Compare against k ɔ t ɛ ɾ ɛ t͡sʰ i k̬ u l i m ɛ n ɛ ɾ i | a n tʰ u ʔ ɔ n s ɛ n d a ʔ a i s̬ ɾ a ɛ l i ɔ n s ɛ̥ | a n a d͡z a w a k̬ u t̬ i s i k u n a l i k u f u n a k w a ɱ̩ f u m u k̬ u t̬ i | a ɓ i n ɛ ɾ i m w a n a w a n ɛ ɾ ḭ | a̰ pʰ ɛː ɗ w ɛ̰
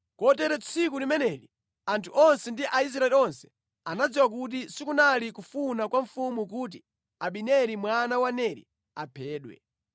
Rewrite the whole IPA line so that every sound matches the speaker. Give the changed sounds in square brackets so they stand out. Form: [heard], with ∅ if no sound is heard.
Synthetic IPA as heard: k ɔ t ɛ ɾ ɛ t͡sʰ i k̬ u l i m ɛ n ɛ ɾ i | a n tʰ u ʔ ɔ n s ɛ n d [i] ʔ a i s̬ ɾ a ɛ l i ɔ n s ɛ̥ | a n a d͡z [i] w a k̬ u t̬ i s i k u n a l i k u f u n a k w a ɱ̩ f u m u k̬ u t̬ i | a ɓ i n ɛ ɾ i m w a n a w a n ɛ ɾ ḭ | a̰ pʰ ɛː ɗ w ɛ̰